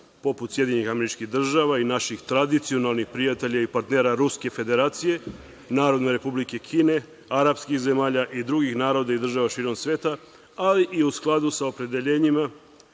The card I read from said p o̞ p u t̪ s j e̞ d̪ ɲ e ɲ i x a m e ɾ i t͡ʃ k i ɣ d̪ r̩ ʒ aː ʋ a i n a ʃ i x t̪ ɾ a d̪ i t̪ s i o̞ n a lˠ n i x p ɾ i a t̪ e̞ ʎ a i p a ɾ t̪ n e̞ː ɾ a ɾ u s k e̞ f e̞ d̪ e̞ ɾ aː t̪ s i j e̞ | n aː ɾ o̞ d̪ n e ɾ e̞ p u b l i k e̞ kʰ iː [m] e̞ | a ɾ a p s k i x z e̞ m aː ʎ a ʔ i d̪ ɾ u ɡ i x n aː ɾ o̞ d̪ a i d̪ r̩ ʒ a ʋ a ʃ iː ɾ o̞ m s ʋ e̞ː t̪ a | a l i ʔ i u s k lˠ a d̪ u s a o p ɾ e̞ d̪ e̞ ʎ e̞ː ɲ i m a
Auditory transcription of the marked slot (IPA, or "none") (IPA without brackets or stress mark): n